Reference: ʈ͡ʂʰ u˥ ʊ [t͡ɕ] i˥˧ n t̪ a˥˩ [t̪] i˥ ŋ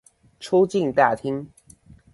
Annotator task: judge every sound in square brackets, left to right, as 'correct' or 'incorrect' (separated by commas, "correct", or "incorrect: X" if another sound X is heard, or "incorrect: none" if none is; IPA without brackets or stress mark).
correct, incorrect: t̪ʰ